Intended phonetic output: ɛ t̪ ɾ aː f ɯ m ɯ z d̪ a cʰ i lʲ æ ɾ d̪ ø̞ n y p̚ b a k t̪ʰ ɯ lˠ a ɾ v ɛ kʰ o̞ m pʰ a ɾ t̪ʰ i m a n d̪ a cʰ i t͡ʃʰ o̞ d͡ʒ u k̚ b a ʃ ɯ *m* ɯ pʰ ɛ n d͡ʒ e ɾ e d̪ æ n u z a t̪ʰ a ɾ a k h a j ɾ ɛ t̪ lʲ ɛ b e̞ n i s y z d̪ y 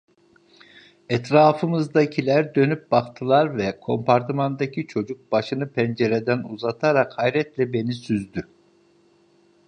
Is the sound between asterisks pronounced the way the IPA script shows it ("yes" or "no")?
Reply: no